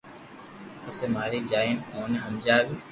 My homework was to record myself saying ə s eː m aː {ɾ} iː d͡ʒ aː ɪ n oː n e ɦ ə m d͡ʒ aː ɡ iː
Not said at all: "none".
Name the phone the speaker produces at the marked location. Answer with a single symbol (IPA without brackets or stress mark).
ɾ